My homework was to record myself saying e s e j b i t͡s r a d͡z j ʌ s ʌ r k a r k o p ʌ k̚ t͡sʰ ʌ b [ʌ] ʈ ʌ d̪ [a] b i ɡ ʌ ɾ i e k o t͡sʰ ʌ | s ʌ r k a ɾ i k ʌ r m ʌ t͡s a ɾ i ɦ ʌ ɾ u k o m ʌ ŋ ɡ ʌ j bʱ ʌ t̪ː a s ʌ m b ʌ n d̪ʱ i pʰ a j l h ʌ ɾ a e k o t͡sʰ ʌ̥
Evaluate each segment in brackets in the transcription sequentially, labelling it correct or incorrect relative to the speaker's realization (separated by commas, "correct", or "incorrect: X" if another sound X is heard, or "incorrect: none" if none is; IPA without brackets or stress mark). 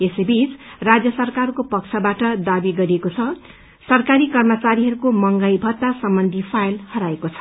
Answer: incorrect: a, correct